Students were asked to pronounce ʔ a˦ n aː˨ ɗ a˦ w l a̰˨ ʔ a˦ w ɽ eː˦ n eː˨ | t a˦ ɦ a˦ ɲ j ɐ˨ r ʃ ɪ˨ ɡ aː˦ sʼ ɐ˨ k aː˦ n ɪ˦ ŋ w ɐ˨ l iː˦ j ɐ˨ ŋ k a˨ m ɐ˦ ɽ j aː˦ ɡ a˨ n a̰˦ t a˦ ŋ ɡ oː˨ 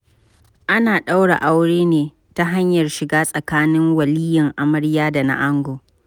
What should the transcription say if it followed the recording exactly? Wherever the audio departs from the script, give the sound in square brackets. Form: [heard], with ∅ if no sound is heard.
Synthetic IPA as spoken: ʔ a˦ n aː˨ ɗ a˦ w [ɽ] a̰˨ ʔ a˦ w ɽ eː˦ n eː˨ | t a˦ ɦ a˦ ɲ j ɐ˨ r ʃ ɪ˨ ɡ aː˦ sʼ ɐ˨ k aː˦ n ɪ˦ ŋ w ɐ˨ l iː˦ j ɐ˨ ŋ [ʔ] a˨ m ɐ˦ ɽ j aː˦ [d] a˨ n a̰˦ [ʔ] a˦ ŋ ɡ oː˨